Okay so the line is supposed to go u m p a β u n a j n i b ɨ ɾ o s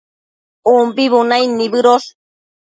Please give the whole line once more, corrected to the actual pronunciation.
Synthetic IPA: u m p i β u n a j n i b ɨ ɾ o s